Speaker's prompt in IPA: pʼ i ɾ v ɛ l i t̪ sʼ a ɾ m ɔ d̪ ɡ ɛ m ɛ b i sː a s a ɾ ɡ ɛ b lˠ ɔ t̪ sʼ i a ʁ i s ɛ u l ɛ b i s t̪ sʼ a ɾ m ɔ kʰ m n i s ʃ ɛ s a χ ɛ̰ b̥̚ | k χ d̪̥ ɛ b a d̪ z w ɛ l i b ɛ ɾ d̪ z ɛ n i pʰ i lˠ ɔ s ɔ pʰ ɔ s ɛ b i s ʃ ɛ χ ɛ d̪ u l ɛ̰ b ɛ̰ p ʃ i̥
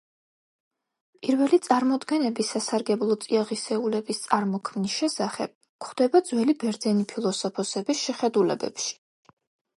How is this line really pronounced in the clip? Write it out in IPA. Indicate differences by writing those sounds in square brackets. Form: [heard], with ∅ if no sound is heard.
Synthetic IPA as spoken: pʼ i ɾ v ɛ l i t̪ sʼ a ɾ m ɔ d̪ ɡ ɛ [n] ɛ b i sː a s a ɾ ɡ ɛ b lˠ ɔ t̪ sʼ i a ʁ i s ɛ u l ɛ b i s t̪ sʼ a ɾ m ɔ kʰ m n i s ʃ ɛ s a χ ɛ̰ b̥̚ | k χ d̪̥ ɛ b a d̪ z w ɛ l i b ɛ ɾ d̪ z ɛ n i pʰ i lˠ ɔ s ɔ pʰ ɔ s ɛ b i s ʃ ɛ χ ɛ d̪ u l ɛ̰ b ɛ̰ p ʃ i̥